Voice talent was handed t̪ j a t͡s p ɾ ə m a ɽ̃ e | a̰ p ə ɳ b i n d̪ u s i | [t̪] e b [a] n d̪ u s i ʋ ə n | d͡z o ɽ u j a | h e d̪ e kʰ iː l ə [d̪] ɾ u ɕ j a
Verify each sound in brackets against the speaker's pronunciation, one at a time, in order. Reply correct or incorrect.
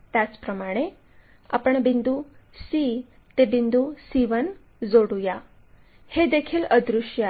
correct, incorrect, correct

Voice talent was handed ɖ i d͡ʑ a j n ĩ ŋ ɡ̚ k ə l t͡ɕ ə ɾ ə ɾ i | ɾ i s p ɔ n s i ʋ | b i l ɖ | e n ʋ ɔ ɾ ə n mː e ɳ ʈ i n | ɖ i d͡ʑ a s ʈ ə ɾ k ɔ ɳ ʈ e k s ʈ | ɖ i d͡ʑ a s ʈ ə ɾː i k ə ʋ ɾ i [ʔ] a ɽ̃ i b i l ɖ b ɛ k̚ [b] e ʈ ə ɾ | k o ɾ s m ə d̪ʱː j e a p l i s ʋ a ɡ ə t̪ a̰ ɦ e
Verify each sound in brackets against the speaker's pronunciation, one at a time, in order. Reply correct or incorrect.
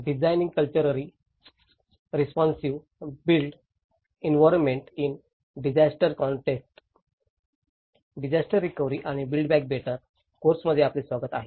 correct, correct

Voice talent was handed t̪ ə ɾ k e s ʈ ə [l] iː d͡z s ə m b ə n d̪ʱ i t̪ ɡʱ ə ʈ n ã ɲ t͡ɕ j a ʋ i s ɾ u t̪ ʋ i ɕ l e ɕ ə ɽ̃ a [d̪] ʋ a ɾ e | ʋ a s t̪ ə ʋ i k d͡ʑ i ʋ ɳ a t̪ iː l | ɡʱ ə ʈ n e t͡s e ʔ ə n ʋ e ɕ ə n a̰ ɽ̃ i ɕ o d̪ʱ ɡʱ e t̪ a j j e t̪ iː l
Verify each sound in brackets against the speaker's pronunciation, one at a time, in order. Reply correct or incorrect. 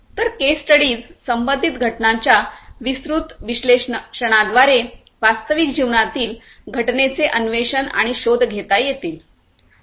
incorrect, correct

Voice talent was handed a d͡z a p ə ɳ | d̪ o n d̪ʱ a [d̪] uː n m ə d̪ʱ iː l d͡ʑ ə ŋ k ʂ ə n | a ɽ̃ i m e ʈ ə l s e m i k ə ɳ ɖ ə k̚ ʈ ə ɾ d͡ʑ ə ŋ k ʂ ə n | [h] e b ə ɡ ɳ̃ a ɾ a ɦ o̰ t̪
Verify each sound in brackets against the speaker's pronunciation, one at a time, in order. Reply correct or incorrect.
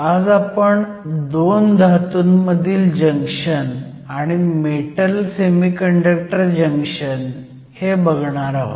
incorrect, correct

